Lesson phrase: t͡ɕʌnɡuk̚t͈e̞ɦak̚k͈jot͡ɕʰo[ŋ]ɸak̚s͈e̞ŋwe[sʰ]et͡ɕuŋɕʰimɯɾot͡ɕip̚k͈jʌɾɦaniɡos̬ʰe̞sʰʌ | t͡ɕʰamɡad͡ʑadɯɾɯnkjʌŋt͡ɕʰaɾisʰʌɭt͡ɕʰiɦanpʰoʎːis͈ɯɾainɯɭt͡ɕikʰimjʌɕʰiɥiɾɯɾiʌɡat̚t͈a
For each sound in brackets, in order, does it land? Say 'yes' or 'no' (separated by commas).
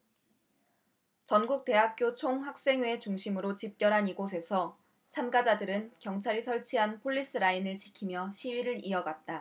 yes, no